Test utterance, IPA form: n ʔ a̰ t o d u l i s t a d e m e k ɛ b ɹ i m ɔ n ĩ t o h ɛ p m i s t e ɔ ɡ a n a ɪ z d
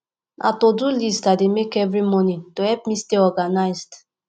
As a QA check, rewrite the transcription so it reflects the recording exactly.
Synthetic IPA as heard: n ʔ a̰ t o d u l i s t a d e m e k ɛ v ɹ i m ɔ n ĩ t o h ɛ p m i s t e ɔ ɡ a n a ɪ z d